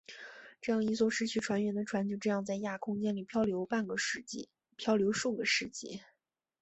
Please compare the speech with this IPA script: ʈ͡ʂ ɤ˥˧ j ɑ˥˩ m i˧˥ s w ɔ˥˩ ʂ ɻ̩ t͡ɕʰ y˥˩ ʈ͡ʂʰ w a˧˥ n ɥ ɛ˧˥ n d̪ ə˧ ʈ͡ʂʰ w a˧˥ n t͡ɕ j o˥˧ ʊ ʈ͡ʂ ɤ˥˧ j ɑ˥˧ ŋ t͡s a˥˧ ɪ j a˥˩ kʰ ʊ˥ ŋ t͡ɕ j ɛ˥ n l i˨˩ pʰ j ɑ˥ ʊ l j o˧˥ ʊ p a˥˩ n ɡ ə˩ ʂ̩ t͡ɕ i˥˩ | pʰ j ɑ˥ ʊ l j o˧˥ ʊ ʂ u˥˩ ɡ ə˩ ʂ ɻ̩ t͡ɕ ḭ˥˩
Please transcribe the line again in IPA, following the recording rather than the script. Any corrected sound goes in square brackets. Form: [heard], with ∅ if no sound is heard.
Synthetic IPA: ʈ͡ʂ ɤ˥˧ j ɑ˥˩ [ŋ] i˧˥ s w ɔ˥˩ ʂ ɻ̩ t͡ɕʰ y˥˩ ʈ͡ʂʰ w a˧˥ n ɥ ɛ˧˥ n d̪ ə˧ ʈ͡ʂʰ w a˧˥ n t͡ɕ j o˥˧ ʊ ʈ͡ʂ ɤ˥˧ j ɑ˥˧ ŋ t͡s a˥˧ ɪ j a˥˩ kʰ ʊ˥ ŋ t͡ɕ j ɛ˥ n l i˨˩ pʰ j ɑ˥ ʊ l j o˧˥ ʊ p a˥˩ n ɡ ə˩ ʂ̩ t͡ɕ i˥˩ | pʰ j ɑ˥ ʊ l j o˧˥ ʊ ʂ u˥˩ ɡ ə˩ ʂ ɻ̩ t͡ɕ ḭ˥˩